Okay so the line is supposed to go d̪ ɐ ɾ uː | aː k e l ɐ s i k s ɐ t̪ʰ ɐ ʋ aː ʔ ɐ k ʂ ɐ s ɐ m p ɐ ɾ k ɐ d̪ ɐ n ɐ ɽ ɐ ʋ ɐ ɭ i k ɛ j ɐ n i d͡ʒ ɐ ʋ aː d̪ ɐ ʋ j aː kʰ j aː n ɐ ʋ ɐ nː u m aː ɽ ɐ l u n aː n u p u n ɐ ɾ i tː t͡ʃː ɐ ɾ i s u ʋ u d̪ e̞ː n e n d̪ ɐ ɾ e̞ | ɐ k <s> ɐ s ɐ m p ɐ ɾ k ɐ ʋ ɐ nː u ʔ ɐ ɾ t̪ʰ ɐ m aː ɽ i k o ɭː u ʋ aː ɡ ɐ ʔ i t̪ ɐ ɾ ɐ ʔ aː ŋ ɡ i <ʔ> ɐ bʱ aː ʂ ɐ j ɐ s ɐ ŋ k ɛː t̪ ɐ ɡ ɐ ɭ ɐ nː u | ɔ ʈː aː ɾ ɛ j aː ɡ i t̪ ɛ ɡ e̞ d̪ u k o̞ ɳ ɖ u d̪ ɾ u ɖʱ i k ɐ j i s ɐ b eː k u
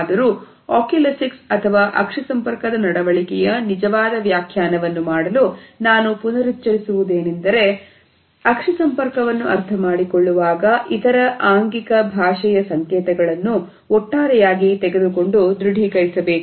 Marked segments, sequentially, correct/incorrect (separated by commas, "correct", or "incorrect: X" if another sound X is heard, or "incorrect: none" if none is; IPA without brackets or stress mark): incorrect: ʂ, incorrect: k